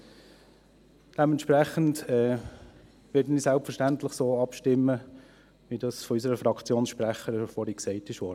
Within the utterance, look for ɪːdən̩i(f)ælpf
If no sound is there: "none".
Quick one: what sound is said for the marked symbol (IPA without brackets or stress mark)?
s